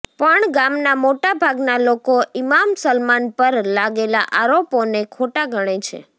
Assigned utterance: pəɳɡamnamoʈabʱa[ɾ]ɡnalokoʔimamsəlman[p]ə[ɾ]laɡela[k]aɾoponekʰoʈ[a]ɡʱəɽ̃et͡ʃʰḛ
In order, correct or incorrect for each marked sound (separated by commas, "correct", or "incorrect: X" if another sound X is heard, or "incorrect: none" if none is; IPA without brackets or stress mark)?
incorrect: none, correct, correct, incorrect: ʔ, correct